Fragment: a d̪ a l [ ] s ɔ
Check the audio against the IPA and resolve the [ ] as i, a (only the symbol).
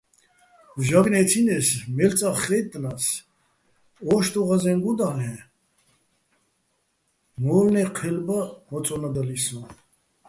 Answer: i